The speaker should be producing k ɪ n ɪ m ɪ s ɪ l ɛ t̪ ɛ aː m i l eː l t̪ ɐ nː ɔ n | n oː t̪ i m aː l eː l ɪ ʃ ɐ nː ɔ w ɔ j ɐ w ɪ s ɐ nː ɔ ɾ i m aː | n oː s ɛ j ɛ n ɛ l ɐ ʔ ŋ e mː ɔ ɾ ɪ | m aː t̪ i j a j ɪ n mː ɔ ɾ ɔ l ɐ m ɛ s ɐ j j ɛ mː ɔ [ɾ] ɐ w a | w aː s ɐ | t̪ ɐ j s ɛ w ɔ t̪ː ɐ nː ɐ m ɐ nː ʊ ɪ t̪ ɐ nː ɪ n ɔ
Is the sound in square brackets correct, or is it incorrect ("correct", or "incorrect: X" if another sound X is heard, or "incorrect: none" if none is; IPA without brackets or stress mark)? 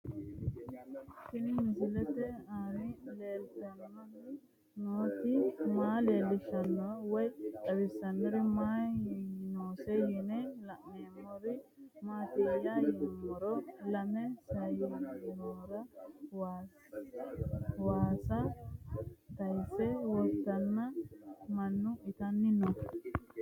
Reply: correct